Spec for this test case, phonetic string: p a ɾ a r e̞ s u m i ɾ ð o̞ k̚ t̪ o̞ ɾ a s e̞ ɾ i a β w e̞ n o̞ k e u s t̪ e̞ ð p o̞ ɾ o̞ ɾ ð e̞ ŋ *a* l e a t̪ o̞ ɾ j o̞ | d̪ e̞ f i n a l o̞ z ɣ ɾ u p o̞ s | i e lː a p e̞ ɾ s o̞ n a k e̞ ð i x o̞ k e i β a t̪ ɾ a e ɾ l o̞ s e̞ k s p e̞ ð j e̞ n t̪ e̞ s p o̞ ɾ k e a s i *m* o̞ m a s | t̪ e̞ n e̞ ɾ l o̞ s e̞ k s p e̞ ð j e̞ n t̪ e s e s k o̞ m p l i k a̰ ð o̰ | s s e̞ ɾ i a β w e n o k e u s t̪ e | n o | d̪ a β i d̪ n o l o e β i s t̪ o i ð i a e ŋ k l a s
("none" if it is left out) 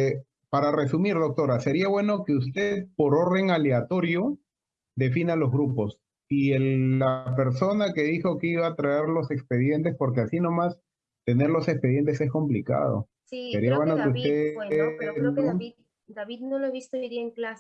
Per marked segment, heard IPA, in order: a, n

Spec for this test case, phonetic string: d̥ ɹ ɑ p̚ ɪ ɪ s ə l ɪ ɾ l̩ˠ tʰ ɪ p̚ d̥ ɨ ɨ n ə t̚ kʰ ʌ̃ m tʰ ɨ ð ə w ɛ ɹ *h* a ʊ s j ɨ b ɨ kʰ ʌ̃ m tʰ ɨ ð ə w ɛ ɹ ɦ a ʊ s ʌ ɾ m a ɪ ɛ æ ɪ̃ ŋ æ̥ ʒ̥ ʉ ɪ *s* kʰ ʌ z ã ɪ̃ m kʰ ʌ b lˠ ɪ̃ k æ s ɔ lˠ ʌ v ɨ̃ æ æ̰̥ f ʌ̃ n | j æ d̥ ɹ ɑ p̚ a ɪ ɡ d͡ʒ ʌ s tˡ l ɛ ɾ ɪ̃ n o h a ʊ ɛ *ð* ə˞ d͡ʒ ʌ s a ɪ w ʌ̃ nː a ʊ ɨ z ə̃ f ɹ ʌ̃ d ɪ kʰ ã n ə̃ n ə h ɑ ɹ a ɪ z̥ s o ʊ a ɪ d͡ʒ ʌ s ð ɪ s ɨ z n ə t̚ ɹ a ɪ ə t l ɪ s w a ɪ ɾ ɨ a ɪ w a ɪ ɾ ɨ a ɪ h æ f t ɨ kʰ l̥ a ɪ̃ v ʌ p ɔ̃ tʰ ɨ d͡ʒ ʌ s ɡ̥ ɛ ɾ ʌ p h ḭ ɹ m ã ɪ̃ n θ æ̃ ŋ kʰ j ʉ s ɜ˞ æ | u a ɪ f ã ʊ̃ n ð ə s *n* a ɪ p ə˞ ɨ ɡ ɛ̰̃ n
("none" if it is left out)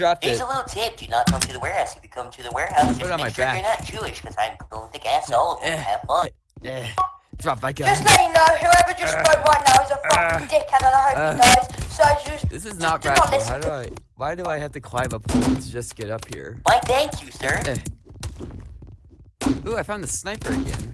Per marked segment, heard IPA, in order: h, ʃ, v, n

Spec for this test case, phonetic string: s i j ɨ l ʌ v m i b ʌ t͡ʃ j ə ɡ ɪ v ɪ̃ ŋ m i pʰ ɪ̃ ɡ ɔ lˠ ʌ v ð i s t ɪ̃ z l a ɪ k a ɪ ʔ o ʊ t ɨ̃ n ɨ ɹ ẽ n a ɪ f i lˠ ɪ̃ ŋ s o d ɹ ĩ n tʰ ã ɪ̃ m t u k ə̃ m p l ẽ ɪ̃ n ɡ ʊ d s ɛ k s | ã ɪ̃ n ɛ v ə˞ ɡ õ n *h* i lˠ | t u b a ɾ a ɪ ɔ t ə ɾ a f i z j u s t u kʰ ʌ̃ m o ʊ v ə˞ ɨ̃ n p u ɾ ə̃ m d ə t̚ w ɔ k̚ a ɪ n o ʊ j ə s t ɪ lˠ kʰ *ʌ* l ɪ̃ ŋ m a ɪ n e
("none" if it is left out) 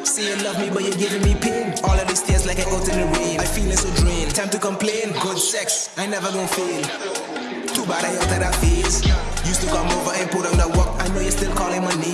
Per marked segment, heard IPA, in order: f, ɔ

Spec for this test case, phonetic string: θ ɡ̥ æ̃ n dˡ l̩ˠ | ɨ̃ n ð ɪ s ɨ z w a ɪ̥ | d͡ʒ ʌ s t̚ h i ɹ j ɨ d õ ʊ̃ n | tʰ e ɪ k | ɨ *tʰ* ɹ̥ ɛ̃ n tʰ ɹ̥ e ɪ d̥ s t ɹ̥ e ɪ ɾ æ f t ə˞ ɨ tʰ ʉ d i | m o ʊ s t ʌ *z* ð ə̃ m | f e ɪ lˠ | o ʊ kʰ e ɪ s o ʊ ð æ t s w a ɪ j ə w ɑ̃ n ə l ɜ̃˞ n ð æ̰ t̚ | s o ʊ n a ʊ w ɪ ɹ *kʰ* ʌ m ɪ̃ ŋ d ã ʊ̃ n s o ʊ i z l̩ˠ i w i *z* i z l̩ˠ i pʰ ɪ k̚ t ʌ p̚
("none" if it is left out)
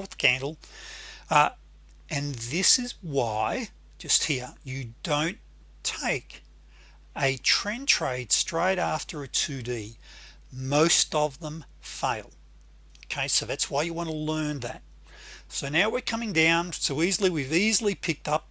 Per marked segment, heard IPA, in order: tʰ, v, kʰ, v

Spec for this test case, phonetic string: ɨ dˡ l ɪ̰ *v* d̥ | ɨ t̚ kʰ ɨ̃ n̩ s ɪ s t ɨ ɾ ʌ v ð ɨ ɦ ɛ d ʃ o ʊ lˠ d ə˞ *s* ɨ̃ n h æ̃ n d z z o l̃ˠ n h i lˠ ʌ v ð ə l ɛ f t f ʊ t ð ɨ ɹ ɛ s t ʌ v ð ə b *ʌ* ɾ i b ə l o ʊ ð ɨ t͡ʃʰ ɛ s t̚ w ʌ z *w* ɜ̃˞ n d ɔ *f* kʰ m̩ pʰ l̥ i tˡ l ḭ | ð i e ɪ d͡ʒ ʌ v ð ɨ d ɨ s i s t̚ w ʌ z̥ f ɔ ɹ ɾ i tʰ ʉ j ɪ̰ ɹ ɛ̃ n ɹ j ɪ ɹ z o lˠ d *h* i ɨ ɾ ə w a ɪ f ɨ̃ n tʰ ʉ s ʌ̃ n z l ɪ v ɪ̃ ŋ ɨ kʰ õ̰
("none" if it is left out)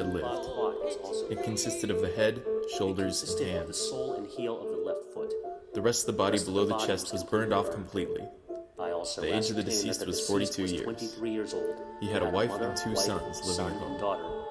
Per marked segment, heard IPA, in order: v, z, ɑ, b, f, h

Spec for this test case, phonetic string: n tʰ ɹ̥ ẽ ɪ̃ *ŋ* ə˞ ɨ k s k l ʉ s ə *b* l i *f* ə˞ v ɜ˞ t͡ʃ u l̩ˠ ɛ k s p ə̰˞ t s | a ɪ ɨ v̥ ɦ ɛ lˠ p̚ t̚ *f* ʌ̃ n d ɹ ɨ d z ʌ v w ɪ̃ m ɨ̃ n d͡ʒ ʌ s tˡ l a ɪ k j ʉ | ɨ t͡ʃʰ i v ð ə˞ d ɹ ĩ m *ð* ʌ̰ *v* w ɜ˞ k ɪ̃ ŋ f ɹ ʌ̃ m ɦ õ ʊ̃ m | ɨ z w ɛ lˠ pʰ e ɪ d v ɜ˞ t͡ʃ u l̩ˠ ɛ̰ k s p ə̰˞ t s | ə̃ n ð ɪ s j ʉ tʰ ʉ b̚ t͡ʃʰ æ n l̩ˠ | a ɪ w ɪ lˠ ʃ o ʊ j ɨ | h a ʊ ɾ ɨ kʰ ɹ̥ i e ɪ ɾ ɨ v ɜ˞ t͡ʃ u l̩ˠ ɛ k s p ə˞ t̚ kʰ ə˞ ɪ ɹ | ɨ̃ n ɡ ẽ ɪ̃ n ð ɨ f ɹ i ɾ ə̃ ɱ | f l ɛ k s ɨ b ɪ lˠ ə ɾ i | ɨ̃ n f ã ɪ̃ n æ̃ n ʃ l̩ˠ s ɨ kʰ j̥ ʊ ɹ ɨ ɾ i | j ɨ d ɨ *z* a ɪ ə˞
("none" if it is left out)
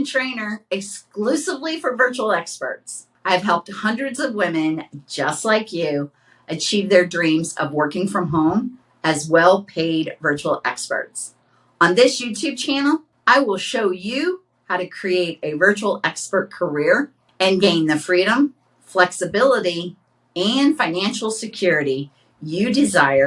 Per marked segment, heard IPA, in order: n, v, f, h, z, v, z

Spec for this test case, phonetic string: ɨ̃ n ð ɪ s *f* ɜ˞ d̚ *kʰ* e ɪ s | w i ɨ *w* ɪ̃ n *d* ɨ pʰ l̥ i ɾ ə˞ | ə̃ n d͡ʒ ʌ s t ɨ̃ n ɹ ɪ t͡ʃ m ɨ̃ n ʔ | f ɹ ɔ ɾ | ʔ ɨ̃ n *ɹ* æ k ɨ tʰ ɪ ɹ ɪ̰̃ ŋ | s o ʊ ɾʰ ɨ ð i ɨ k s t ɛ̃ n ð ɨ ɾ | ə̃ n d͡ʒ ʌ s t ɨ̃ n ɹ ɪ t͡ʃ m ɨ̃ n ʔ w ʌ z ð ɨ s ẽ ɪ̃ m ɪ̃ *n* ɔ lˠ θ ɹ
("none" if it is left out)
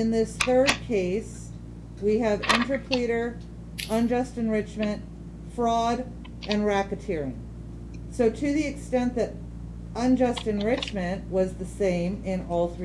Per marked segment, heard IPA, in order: θ, kʰ, v, t, ɹ, n

